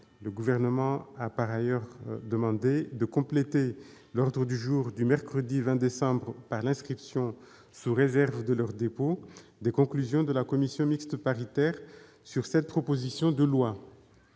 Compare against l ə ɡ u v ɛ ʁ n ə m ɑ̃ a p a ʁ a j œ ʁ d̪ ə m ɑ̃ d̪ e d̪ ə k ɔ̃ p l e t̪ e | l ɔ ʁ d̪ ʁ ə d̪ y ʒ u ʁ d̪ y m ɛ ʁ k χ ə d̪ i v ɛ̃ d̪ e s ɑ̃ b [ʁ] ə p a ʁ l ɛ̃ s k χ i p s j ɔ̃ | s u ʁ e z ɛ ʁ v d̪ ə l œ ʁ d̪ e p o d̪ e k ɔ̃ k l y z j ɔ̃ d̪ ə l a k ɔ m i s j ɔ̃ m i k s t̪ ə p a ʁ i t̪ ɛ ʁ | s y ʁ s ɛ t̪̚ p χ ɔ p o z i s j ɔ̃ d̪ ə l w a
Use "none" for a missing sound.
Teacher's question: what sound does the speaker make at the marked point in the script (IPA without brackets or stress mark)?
ʁ